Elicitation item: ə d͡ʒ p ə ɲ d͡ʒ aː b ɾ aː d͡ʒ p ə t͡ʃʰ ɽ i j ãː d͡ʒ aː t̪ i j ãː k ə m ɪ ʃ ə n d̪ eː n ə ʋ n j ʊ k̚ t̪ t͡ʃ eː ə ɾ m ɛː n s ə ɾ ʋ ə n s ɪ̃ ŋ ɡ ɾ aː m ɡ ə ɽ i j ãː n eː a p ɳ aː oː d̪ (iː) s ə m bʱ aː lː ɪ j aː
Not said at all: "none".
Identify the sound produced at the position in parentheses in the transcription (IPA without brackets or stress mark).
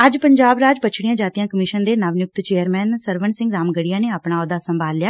aː